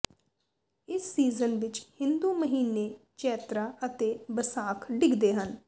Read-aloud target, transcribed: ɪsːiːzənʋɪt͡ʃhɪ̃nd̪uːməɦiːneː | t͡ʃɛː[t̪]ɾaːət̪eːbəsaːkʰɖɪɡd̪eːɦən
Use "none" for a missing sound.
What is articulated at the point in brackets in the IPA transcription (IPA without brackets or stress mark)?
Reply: t̪